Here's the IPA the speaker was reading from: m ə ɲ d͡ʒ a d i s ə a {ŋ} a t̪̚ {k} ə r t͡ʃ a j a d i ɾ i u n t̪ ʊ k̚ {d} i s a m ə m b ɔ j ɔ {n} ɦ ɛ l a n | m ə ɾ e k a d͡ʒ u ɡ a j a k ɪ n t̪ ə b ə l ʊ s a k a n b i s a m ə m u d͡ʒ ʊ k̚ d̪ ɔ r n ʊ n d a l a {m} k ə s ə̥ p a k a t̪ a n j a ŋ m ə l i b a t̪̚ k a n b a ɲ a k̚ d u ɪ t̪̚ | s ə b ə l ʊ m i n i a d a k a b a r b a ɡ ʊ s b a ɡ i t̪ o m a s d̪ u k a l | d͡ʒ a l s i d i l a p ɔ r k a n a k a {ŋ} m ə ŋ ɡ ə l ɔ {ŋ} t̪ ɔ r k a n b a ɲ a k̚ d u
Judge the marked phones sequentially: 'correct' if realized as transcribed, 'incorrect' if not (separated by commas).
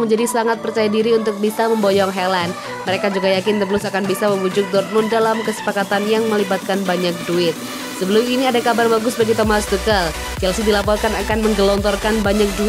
correct, incorrect, incorrect, incorrect, correct, incorrect, incorrect